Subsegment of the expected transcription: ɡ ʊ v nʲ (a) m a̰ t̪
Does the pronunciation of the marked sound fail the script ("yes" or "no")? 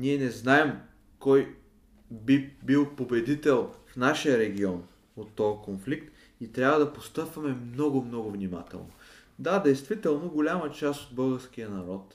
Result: yes